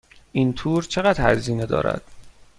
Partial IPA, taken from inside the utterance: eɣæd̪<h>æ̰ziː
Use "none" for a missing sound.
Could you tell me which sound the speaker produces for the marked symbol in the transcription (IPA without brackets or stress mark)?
h